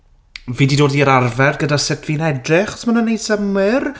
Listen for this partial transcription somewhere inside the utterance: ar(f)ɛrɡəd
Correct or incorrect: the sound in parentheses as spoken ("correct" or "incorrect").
incorrect